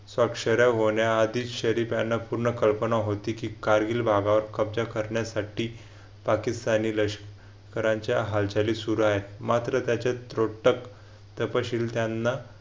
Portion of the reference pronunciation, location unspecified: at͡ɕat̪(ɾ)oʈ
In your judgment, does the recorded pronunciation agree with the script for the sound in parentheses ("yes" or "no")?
yes